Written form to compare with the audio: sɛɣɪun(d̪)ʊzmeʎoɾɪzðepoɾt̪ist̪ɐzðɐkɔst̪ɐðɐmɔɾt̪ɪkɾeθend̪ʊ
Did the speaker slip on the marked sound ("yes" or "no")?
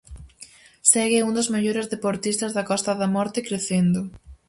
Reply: no